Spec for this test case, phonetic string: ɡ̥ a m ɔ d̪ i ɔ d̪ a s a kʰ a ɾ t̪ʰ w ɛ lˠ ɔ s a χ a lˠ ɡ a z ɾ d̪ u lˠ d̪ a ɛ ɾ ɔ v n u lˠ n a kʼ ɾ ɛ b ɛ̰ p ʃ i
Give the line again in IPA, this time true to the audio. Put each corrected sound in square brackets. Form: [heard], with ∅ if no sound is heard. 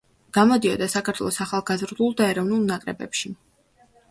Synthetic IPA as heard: ɡ̥ a m ɔ d̪ i ɔ d̪ a s a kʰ a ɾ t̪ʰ w ɛ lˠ ɔ s a χ a lˠ ɡ a z ɾ d̪ u lˠ d̪ a ɛ ɾ ɔ v n u lˠ n a kʼ ɾ ɛ b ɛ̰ p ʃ i